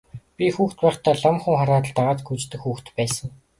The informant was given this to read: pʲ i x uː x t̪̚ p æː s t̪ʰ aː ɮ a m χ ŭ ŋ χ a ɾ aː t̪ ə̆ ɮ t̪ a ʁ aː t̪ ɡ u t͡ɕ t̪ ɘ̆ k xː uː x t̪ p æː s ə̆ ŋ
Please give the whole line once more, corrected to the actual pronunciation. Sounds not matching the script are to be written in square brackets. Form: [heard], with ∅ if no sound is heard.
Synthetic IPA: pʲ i x uː x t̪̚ p æː [χ] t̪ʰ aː ɮ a m χ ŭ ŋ χ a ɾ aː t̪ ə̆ ɮ t̪ a ʁ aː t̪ ɡ u t͡ɕ t̪ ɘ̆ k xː uː x t̪ p æː s ə̆ ŋ